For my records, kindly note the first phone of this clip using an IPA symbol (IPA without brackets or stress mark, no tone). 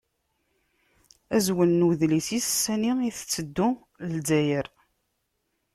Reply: æ